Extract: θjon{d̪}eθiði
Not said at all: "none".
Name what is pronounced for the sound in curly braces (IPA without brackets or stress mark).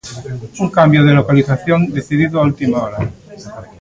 d̪